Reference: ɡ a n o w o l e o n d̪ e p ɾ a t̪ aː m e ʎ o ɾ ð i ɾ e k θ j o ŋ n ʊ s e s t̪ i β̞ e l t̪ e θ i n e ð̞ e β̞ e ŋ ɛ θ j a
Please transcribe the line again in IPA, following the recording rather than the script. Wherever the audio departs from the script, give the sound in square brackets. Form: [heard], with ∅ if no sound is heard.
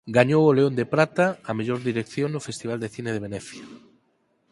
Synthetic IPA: ɡ a [ɲ] o w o l e o n d̪ e p ɾ a t̪ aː m e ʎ o ɾ ð i ɾ e k θ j o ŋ n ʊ [f] e s t̪ i β̞ [a] l [d̪] e θ i n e ð̞ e β̞ e [n] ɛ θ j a